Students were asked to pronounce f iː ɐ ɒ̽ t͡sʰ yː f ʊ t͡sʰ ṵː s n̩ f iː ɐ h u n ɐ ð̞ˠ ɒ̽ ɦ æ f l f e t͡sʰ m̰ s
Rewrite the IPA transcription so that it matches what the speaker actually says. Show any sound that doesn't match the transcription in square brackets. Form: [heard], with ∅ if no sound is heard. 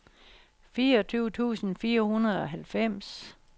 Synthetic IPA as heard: f iː ɐ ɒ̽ t͡sʰ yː [∅] ʊ t͡sʰ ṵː s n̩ f iː ɐ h u n ɐ ð̞ˠ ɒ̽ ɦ æ [∅] l f e [∅] m̰ s